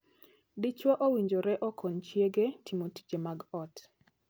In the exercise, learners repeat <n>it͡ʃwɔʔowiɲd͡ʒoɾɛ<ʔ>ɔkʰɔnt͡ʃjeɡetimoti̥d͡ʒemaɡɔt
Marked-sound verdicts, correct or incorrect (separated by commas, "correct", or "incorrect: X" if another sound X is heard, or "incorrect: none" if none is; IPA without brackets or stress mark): incorrect: d, correct